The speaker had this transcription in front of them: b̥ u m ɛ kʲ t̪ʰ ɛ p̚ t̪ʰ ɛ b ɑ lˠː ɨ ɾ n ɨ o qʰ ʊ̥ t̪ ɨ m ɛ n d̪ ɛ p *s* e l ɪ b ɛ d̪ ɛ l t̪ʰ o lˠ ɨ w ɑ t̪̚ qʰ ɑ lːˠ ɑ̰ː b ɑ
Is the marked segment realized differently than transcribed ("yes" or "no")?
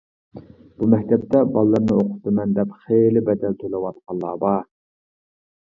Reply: yes